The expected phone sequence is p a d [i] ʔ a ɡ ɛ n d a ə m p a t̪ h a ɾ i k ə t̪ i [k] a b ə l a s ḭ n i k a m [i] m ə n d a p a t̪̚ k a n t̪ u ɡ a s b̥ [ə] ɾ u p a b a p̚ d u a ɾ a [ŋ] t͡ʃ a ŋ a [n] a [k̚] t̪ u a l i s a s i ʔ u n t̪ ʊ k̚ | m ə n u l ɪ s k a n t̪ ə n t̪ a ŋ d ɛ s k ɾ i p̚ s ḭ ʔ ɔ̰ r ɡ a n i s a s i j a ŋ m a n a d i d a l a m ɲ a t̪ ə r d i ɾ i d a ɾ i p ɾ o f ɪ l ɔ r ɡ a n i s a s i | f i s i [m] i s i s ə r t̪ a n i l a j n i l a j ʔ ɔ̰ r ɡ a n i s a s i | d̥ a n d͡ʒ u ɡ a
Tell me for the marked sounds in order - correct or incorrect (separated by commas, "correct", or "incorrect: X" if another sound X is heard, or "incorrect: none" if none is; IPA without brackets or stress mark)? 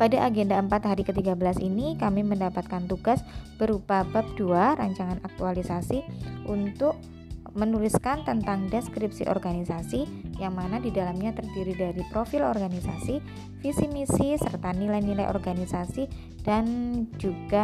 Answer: incorrect: a, incorrect: ɡ, correct, correct, incorrect: ɲ, correct, correct, correct